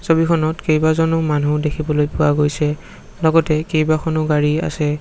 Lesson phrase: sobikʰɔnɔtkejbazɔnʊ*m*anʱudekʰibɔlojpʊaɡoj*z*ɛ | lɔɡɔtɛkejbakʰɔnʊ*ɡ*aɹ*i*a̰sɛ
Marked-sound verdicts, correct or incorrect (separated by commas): correct, incorrect, correct, correct